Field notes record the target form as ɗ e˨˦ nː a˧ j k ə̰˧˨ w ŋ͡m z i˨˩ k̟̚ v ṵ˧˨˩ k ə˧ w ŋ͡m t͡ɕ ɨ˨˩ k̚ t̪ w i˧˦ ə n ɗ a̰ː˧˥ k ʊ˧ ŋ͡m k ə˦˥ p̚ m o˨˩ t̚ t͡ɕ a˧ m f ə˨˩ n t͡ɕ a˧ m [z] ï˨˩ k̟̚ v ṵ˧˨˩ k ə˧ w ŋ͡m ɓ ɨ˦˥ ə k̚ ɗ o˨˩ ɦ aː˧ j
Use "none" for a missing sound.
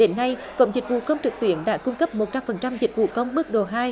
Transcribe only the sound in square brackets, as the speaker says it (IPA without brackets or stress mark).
z